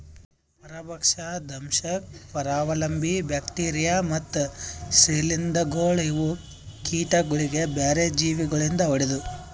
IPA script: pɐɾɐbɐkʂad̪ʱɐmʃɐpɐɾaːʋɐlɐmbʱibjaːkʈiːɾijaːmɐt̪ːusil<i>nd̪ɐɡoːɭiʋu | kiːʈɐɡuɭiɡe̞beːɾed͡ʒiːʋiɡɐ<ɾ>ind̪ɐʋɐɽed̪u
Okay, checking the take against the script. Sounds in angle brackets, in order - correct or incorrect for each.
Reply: correct, incorrect

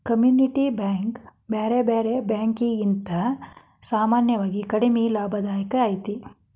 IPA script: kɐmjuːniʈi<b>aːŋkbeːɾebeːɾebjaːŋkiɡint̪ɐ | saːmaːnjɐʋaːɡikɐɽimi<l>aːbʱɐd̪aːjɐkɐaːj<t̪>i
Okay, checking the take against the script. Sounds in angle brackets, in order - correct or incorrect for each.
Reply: correct, correct, correct

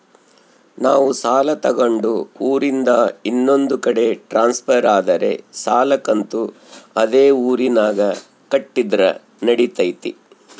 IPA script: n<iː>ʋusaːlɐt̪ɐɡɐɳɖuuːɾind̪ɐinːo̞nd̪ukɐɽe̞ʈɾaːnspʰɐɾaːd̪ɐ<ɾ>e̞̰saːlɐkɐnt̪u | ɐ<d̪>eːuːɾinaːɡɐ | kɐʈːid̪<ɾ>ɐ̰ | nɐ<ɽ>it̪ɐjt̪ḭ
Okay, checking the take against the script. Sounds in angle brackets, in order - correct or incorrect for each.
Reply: incorrect, correct, correct, correct, correct

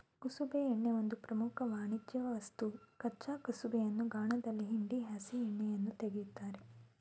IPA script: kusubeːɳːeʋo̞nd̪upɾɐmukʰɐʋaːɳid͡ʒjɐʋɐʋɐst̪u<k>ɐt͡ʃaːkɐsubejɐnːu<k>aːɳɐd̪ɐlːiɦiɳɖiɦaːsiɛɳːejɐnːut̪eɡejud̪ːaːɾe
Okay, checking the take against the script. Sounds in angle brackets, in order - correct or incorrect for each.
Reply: correct, incorrect

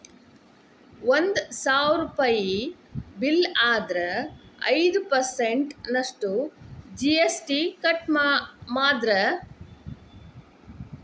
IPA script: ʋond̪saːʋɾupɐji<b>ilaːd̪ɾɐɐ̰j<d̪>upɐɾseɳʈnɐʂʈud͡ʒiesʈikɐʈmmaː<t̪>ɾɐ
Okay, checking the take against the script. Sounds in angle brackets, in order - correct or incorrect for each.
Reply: correct, correct, incorrect

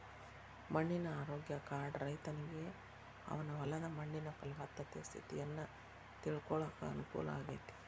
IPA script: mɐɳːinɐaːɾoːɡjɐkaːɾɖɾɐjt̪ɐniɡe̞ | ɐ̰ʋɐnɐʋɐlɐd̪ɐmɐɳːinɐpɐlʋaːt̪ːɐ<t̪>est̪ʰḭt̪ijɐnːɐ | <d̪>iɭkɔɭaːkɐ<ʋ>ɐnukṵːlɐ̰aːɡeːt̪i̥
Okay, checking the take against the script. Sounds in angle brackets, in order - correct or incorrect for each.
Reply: correct, incorrect, incorrect

